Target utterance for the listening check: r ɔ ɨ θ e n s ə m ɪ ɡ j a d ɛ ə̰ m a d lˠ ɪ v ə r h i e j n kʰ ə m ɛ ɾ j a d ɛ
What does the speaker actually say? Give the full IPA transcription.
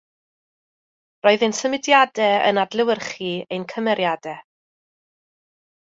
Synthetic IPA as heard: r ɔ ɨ ð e n s ə m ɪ d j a d ɛ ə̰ n a d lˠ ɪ w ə r χ i e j n kʰ ə m ɛ ɾ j a d ɛ